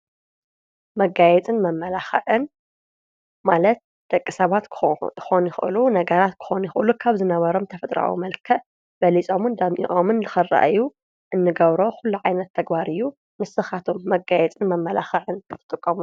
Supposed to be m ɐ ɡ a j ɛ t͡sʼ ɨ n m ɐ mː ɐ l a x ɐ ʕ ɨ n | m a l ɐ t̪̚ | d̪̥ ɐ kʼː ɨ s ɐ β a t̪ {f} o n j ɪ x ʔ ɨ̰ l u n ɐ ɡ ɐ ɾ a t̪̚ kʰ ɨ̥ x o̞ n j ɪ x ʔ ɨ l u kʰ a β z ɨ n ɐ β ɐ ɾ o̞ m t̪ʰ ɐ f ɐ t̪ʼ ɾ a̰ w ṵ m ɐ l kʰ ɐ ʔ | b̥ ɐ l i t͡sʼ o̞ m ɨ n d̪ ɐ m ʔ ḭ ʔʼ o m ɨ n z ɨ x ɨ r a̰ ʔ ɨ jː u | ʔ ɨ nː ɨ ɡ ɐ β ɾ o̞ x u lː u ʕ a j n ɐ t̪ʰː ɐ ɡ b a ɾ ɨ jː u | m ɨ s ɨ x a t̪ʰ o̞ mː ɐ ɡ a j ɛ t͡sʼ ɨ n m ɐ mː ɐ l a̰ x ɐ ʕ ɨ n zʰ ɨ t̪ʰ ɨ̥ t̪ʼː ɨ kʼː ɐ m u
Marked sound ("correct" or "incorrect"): incorrect